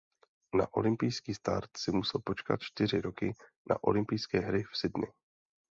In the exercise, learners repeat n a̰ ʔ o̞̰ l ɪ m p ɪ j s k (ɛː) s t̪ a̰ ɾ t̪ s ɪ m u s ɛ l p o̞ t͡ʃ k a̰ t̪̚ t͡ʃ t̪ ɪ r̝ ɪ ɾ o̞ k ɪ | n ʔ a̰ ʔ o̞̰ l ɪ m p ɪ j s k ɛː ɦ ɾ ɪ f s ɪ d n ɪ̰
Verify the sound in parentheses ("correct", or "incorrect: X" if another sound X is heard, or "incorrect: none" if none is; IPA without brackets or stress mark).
incorrect: iː